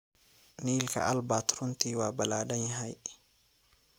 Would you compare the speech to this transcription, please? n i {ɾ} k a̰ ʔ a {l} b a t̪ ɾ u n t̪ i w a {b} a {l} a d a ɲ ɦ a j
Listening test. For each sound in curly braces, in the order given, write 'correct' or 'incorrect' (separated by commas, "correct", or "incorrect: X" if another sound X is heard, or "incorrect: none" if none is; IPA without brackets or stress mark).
incorrect: l, correct, correct, correct